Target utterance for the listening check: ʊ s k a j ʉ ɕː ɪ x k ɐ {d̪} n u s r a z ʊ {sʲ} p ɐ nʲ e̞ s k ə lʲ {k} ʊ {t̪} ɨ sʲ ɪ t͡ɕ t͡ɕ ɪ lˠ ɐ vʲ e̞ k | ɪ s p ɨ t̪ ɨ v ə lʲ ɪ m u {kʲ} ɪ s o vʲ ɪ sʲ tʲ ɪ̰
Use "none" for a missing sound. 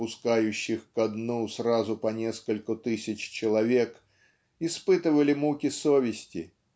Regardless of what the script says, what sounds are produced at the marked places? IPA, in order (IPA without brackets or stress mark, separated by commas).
d̪, none, k, t̪, kʲ